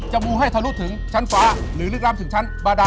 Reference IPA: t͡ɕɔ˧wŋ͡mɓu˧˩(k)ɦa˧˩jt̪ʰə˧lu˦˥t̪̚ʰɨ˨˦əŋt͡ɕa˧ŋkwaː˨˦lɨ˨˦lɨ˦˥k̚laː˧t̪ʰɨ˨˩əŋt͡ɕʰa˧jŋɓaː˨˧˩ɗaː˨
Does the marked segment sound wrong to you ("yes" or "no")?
yes